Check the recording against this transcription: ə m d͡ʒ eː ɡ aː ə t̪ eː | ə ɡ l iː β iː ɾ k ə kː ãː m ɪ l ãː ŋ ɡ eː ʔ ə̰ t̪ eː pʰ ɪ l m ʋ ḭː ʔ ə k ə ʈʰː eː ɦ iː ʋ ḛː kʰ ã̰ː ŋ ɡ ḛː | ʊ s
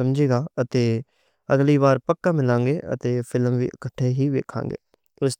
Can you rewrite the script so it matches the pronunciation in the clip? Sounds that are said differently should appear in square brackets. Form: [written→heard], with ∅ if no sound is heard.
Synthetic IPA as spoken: ə m d͡ʒ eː ɡ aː ə t̪ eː | ə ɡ l iː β [iː→aː] ɾ [k→p] ə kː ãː m ɪ l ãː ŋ ɡ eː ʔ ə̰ t̪ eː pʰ ɪ l m ʋ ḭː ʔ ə k ə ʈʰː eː ɦ iː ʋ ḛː kʰ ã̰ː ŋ ɡ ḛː | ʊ s